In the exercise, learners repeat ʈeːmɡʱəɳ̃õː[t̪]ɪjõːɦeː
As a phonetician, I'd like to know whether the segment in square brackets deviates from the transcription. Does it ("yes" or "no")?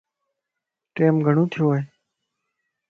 yes